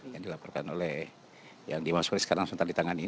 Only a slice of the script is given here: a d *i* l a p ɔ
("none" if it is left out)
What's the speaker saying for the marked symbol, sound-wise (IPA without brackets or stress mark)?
i